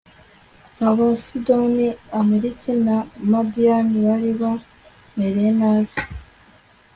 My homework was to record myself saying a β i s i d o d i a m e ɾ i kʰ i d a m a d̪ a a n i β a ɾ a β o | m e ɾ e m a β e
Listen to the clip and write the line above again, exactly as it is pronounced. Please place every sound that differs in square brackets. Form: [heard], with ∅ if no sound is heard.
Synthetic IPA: a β [a] s i d o [n] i a m e ɾ i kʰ i [n] a m a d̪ [i] a n i β a ɾ [i] β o | m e ɾ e [n] a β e